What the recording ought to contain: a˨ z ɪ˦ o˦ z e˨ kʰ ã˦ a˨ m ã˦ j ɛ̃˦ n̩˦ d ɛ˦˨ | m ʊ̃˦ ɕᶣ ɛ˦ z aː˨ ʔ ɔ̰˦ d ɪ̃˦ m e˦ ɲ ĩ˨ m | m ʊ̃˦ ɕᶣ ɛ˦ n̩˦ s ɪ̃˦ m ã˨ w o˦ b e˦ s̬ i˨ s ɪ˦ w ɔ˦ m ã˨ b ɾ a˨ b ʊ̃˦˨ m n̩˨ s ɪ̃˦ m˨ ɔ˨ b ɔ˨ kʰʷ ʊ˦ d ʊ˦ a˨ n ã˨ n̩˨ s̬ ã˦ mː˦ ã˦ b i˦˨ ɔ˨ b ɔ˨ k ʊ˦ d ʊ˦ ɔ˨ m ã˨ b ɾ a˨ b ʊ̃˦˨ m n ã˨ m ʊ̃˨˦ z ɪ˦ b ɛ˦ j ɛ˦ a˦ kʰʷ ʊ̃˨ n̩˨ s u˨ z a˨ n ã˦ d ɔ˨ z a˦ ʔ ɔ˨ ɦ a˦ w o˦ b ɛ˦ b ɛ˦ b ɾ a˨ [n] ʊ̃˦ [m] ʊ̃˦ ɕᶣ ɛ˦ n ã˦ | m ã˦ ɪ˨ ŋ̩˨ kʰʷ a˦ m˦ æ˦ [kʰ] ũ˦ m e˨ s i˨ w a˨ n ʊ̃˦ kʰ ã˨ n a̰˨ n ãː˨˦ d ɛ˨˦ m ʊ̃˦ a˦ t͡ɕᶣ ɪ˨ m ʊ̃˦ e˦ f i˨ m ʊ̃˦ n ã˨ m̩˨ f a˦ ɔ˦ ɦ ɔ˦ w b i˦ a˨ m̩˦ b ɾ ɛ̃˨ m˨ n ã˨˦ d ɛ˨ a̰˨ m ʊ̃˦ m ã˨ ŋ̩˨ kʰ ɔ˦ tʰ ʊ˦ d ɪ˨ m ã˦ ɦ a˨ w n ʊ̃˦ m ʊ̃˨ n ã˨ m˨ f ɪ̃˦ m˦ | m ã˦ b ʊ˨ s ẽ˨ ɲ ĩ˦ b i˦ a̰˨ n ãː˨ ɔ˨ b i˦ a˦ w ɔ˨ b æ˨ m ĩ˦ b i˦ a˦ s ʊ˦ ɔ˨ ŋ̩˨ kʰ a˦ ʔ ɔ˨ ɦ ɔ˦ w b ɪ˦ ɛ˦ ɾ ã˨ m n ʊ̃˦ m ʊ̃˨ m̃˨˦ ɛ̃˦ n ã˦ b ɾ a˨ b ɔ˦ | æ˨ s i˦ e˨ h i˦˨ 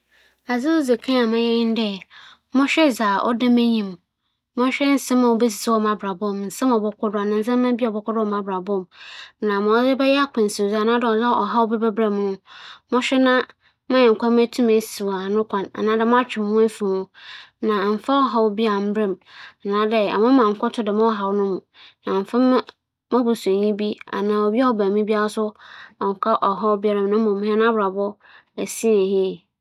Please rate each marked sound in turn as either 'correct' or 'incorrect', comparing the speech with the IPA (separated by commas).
incorrect, correct, incorrect